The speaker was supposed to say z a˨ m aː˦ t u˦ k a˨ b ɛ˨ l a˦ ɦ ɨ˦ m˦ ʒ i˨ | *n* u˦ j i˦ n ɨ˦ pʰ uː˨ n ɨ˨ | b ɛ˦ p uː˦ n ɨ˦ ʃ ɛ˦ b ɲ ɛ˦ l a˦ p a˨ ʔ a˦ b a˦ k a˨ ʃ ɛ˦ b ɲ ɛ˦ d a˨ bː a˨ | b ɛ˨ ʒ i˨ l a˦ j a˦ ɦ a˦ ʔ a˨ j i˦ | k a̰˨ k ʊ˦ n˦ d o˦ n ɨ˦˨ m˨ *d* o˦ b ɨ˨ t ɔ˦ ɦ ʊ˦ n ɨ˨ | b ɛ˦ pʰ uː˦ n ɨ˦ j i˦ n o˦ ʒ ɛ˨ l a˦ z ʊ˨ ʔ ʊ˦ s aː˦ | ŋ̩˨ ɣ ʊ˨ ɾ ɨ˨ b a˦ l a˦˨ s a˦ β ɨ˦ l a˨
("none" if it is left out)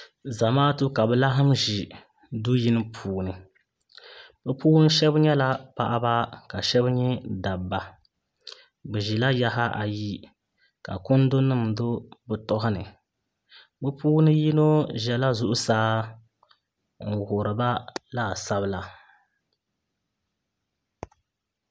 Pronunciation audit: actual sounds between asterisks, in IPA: d, d

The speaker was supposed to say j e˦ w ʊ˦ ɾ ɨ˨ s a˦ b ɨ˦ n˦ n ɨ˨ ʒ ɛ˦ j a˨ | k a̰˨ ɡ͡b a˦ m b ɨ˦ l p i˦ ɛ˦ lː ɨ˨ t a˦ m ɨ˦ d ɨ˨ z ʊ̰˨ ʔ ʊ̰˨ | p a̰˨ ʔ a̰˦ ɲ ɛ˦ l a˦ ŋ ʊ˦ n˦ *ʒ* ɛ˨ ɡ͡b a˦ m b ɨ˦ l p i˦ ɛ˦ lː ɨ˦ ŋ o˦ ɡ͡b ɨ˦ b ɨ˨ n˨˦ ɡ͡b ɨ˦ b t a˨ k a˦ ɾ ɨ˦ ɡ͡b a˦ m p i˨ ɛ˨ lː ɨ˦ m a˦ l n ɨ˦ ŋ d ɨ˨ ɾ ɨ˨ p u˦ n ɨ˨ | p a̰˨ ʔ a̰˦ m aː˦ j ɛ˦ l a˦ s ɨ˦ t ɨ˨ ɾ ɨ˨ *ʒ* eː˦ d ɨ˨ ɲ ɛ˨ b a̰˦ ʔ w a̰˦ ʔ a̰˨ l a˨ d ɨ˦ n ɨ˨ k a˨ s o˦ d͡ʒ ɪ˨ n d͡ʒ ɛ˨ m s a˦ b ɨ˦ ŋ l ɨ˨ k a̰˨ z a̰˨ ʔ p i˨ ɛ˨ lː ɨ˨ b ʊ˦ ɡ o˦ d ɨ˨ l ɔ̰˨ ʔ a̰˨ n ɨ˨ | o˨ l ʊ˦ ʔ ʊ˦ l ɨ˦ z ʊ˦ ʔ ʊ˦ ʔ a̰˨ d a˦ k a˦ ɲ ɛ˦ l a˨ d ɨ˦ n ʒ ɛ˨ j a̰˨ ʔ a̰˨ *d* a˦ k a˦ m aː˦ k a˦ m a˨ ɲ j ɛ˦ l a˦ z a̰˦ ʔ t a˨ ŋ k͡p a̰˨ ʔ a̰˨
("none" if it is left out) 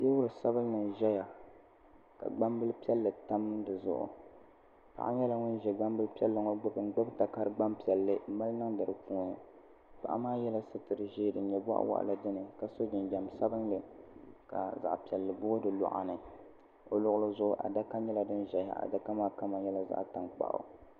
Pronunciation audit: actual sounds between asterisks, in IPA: ʒ, ʒ, d

